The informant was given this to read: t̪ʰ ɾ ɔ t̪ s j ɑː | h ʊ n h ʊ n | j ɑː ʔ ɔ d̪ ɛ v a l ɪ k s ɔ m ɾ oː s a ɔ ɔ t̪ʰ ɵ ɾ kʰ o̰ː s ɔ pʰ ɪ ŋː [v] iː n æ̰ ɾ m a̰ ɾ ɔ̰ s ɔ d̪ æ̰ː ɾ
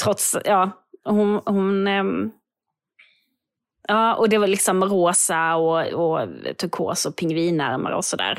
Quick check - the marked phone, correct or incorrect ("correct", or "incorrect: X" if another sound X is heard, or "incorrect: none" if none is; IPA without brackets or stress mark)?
correct